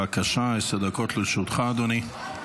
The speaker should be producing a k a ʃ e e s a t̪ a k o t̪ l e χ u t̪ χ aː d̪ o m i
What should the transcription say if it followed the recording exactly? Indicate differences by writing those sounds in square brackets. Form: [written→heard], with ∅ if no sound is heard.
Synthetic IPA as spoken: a k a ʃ [e→a] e s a [t̪→d̪] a k o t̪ l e [χ→ʃ] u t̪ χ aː d̪ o [m→n] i

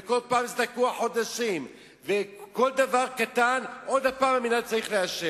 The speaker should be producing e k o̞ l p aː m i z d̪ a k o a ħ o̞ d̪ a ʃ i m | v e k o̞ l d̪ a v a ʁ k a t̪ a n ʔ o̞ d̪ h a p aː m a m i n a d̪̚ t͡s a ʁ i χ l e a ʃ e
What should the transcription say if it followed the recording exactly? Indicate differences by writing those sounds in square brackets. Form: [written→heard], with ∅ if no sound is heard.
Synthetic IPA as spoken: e k o̞ l p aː m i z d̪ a k [o→u] a ħ o̞ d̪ a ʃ i m | v e k o̞ l d̪ a v a ʁ k a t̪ a n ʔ o̞ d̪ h a p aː m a m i n a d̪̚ t͡s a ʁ i χ l e a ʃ e

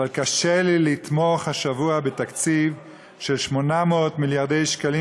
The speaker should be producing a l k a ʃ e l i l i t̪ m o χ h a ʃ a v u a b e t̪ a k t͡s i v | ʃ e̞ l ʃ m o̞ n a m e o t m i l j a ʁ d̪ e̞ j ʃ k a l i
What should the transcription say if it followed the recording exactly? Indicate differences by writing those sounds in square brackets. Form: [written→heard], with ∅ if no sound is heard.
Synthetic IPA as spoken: a l k a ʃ e l i l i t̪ m o χ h a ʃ a v u a b e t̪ a k t͡s i v | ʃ e̞ l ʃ m o̞ n a m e o t m i l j a ʁ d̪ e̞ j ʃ k a l i

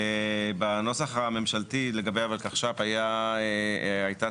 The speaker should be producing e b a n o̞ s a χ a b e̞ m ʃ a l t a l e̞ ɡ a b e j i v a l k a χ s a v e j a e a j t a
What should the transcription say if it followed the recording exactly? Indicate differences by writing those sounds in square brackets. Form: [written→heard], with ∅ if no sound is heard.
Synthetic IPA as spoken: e b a n o̞ s a χ a [b→m] e̞ m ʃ a l t [a→i] l e̞ ɡ a b e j [i→a] v a l k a χ [s→ʃ] a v [e→a] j a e a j t a

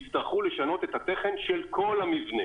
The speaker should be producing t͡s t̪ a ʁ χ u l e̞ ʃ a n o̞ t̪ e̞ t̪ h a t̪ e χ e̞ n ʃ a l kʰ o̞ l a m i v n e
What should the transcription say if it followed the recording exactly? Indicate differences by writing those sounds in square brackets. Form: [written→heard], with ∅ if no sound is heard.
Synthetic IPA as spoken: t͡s t̪ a ʁ χ u l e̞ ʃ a n o̞ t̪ e̞ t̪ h a t̪ e χ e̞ n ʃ [a→e] l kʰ o̞ l a m i v n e

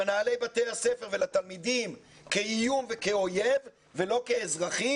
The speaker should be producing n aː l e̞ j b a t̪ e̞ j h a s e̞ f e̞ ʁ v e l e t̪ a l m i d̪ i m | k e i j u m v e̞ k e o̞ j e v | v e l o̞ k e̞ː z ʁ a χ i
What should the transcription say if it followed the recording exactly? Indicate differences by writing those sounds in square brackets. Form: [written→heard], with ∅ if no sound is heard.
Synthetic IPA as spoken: n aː l e̞ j b a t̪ e̞ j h a s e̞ f e̞ ʁ v e l [e→a] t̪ a l m i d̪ i m | k e i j u m v e̞ k e o̞ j e v | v e l o̞ k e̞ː z ʁ a χ i

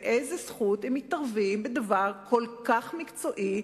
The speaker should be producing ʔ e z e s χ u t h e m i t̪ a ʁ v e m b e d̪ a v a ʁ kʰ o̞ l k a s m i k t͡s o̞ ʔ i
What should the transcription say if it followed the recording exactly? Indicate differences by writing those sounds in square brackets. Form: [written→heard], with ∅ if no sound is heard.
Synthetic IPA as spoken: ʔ e z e s χ u t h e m i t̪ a ʁ v [e→i] m b e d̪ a v a ʁ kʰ o̞ l k a [s→χ] m i k t͡s o̞ ʔ i

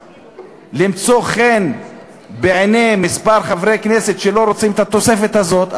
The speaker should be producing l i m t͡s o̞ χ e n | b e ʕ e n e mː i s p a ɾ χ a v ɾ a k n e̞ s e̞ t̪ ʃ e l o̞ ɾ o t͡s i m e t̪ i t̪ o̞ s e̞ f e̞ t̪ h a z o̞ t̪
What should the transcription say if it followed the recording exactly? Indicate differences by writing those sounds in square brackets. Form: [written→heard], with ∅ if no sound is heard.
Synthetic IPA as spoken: l i m t͡s o̞ χ e n | b e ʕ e n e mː i s p a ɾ χ a v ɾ [a→e] k n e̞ s e̞ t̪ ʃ e l o̞ ɾ o t͡s i m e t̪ [i→a] t̪ o̞ s e̞ f e̞ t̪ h a z o̞ t̪

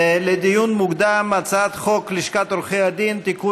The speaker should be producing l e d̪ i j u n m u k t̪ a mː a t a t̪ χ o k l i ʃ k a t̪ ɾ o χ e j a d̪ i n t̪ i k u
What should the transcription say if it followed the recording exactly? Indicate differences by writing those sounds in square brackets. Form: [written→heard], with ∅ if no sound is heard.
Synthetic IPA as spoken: l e d̪ i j u n m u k [t̪→d̪] a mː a [t→t͡s] a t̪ χ o k l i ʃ k a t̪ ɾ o χ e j a d̪ i n t̪ i k u

